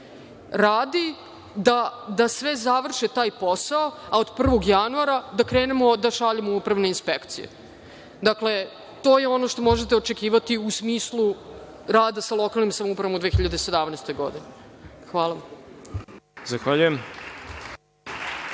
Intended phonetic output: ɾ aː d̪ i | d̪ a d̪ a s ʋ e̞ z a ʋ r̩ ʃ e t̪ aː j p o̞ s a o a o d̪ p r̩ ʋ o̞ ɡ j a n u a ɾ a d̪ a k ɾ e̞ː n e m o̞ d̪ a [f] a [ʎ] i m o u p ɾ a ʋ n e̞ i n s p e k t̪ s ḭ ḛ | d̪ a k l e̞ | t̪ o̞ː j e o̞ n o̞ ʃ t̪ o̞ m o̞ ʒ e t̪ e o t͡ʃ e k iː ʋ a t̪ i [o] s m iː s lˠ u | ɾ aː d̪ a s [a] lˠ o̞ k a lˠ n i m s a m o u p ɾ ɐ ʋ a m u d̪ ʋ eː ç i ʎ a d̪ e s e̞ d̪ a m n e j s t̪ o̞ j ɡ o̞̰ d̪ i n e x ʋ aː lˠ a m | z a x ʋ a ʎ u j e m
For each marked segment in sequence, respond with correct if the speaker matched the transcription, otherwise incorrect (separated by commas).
incorrect, correct, incorrect, correct